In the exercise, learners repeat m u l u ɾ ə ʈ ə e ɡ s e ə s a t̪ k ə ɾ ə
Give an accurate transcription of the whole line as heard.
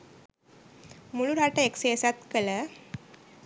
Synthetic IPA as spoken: m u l u ɾ a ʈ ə e k s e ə s a t̪ k ə l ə